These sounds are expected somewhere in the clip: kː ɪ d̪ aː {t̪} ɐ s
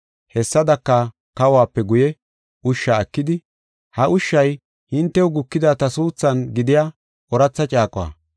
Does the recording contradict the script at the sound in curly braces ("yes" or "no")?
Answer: no